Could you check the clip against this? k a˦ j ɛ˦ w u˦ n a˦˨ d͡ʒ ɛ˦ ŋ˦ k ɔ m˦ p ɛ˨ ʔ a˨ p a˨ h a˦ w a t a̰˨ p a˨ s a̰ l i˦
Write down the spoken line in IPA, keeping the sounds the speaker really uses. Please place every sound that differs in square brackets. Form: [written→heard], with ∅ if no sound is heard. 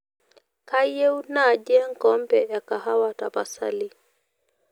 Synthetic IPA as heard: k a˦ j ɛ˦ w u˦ n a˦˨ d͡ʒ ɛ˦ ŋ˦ k ɔ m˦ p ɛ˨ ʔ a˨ [p→k] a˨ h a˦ w a t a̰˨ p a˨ s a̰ l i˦